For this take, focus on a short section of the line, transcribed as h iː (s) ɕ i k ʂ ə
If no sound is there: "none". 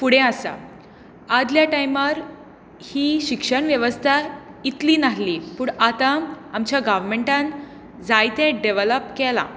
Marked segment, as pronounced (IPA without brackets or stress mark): none